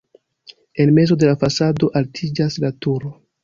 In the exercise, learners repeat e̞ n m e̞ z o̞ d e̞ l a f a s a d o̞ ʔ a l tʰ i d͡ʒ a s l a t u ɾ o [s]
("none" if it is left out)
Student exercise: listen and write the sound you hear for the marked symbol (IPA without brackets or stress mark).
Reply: none